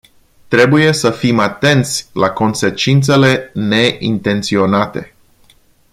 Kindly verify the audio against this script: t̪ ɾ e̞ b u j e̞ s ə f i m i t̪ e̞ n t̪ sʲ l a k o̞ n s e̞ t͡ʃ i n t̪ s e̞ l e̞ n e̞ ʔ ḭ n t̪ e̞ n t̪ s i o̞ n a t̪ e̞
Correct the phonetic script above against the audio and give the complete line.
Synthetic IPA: t̪ ɾ e̞ b u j e̞ s ə f i m a t̪ e̞ n t̪ sʲ l a k o̞ n s e̞ t͡ʃ i n t̪ s e̞ l e̞ n e̞ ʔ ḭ n t̪ e̞ n t̪ s i o̞ n a t̪ e̞